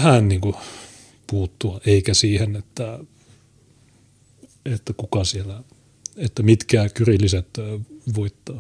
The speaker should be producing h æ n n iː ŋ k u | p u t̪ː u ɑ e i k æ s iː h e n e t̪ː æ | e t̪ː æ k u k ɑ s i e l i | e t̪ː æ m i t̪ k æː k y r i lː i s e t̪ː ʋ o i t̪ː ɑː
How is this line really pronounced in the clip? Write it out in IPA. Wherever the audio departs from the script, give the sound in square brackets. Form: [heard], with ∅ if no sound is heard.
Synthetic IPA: h æ n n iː ŋ k u | p [uː] t̪ː u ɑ e i k æ s iː h e n e t̪ː æ | e t̪ː æ k u k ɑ s i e l [æ] | e t̪ː æ m i t̪ k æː k y r i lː i s e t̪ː ʋ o i t̪ː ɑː